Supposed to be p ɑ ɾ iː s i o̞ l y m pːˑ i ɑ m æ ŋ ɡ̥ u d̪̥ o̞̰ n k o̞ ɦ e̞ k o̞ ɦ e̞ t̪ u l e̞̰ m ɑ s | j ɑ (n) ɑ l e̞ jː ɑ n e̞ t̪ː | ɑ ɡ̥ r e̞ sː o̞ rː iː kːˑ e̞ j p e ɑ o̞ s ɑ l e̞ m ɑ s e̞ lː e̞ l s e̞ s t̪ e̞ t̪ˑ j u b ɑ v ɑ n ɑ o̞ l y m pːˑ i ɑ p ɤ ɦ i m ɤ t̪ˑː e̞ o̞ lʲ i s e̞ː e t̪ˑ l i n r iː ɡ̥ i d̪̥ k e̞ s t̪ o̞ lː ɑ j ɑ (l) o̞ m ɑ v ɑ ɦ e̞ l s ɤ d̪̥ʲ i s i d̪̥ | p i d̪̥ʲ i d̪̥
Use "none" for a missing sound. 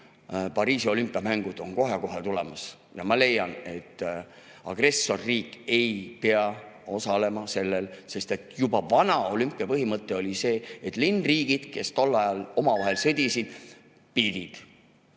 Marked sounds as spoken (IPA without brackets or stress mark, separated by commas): m, l